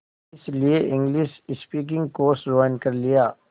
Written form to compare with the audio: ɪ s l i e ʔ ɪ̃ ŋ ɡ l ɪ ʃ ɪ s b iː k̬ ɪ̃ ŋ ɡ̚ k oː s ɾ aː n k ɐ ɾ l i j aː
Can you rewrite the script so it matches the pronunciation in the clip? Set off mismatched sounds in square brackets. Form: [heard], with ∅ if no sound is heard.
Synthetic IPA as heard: ɪ s l i e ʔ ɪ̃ ŋ ɡ l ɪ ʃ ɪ s [p] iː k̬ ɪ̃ ŋ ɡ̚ k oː s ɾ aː n k ɐ ɾ l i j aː